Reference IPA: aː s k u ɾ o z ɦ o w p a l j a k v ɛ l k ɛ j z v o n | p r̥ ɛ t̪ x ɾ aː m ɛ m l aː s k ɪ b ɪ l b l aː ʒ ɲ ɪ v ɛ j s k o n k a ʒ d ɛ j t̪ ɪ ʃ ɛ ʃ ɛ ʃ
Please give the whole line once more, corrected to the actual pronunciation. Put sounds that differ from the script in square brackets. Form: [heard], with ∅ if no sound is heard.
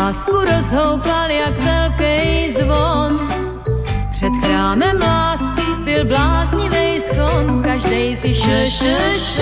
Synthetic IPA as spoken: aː s k u ɾ o z ɦ o w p a l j a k v ɛ l k ɛ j z v o n | p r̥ ɛ t̪ x ɾ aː m ɛ m l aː s k ɪ b ɪ l b l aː [z] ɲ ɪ v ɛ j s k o n k a ʒ d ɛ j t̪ ɪ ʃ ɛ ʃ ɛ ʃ